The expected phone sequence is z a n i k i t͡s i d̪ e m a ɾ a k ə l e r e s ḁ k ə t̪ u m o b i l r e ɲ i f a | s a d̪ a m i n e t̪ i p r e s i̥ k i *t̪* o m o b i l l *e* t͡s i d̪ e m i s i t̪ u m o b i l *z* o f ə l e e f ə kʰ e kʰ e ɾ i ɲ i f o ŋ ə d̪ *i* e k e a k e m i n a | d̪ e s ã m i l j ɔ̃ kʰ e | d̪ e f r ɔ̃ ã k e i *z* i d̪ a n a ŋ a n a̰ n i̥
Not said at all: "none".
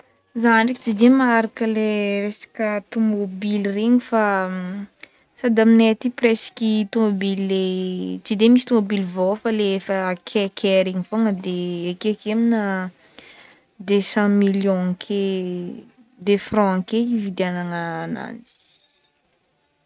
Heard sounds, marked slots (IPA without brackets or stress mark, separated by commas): t̪, e, v, e, v